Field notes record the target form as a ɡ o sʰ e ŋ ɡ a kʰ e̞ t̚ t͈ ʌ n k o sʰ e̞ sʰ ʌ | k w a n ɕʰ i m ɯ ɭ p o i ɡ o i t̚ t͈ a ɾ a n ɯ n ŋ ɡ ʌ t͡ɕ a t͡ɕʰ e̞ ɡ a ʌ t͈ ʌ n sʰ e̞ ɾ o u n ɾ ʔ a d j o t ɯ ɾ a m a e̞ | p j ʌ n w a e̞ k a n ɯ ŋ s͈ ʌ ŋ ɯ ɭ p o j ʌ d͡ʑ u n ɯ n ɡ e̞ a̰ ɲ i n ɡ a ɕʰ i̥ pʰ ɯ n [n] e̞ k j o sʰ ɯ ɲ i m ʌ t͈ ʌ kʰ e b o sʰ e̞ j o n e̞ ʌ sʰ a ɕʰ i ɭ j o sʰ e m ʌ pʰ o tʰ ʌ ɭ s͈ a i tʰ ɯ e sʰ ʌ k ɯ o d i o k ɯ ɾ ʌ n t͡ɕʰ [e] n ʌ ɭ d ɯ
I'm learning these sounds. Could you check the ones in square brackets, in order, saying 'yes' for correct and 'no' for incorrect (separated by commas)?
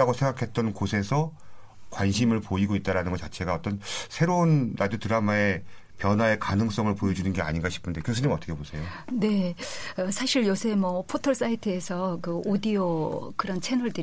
no, yes